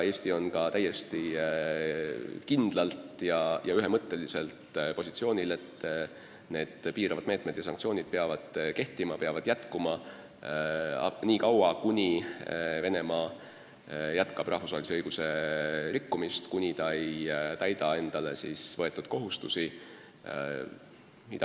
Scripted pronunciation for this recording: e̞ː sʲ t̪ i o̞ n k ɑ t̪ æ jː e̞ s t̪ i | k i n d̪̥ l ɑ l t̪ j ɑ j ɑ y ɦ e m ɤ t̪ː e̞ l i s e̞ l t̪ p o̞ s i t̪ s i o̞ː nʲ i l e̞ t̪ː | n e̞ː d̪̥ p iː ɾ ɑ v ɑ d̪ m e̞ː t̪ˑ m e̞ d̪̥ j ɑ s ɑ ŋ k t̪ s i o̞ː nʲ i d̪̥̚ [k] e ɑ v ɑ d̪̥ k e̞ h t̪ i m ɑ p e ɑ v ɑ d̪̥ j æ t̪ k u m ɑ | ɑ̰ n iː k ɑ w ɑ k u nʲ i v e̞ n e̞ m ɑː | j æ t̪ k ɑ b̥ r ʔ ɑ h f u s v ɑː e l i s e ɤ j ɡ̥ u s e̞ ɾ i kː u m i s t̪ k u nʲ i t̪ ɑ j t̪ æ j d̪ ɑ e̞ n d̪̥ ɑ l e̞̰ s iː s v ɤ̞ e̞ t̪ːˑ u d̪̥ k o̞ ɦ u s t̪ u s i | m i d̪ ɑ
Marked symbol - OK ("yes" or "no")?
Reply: no